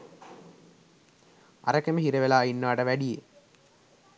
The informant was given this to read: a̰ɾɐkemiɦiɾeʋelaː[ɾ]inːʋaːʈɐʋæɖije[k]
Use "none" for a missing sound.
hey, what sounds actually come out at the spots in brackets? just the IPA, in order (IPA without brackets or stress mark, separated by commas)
none, none